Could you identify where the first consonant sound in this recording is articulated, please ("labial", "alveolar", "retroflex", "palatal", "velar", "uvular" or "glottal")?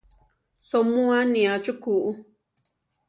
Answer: alveolar